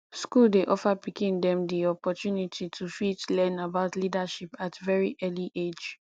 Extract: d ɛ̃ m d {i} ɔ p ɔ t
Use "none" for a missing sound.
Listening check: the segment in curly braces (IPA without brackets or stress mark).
i